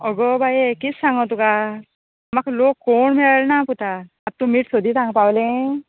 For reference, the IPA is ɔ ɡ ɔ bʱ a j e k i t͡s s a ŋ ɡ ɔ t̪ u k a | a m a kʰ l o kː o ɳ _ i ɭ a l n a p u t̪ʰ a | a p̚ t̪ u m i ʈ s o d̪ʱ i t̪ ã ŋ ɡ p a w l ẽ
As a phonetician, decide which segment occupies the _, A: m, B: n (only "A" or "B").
A